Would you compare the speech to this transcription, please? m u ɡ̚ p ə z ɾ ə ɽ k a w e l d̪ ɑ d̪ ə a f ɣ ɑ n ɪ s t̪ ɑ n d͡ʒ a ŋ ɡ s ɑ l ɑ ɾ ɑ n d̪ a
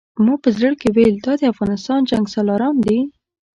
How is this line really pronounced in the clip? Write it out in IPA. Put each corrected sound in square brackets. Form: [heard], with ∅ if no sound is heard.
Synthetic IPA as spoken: m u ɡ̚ p ə z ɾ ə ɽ k [e] w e l d̪ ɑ d̪ ə a f ɣ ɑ n ɪ s t̪ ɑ n d͡ʒ a ŋ ɡ s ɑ l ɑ ɾ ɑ n d̪ [i]